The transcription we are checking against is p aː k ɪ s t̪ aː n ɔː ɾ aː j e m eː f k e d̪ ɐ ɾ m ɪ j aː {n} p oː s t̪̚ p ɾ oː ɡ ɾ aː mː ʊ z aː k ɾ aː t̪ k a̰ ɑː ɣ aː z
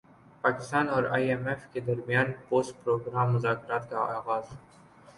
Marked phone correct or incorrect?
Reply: correct